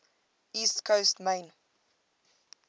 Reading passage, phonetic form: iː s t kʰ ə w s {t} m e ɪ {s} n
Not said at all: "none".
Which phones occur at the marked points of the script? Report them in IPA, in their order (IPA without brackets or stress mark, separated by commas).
t, none